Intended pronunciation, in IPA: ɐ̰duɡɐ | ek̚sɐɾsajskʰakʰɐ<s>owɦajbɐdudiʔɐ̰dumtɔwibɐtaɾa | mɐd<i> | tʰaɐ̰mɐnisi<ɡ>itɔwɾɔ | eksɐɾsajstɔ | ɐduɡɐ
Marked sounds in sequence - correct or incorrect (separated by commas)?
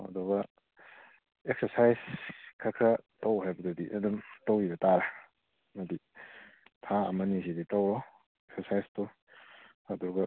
incorrect, correct, incorrect